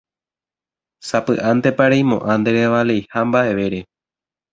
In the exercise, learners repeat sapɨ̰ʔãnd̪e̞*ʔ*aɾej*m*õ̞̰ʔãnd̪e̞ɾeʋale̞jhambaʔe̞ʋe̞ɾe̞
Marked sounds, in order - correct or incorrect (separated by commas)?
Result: incorrect, correct